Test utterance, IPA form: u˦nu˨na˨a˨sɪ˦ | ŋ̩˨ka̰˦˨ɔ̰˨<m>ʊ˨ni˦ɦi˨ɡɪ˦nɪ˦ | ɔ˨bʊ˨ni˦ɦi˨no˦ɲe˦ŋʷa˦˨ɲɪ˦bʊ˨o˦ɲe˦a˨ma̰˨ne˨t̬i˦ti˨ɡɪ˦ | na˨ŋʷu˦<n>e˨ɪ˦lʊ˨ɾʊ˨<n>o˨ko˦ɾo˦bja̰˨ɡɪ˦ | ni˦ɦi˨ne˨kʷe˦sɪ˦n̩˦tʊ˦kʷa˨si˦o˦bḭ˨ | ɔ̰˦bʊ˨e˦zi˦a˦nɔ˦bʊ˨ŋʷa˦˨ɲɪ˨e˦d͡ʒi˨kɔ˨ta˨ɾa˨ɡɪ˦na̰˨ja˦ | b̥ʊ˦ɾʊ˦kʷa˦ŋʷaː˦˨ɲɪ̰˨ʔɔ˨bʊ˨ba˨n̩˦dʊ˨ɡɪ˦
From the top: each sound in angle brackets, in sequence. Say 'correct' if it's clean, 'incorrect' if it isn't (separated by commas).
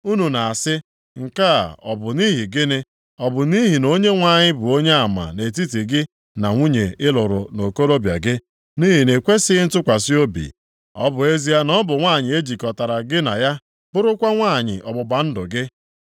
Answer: incorrect, incorrect, correct